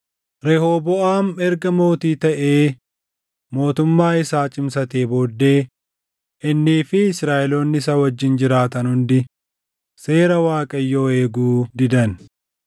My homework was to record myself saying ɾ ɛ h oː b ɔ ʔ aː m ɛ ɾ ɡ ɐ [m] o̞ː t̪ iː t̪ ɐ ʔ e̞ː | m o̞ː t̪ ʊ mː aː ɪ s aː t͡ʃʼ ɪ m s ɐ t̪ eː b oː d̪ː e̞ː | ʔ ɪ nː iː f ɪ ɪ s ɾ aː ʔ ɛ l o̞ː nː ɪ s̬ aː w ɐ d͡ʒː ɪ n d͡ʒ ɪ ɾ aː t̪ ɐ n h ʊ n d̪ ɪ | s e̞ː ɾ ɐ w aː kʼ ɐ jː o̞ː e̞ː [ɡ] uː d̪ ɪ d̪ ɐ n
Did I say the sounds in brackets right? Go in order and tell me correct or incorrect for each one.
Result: correct, correct

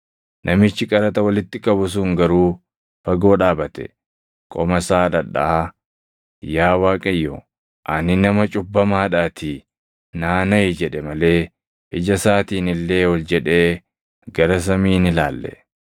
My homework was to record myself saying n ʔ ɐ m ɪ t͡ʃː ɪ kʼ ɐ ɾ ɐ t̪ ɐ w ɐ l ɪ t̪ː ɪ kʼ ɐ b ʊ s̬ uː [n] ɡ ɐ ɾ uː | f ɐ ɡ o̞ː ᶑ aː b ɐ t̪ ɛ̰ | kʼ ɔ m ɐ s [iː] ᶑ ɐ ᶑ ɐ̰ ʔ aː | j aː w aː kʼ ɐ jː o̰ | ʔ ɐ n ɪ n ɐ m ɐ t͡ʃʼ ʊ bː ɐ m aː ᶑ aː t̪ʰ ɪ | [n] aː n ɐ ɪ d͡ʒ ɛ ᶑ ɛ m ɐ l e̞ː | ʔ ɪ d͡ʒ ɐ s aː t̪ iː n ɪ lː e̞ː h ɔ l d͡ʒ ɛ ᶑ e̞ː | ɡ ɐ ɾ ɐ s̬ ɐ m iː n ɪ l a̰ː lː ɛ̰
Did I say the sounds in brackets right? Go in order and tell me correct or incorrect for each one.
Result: incorrect: ŋ, incorrect: aː, correct

